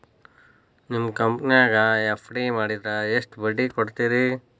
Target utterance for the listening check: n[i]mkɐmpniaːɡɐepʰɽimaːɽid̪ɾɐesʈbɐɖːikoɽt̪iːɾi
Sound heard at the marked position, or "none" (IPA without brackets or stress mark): i